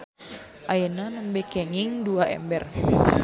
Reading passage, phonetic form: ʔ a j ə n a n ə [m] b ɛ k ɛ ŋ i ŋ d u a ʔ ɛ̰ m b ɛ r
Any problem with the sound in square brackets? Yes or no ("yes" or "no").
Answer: no